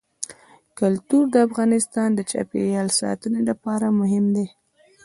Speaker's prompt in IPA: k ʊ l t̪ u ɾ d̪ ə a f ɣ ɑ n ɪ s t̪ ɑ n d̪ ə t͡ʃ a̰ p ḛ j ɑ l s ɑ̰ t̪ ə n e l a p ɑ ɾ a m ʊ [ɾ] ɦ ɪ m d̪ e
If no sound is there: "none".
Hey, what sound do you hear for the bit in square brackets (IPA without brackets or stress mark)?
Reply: none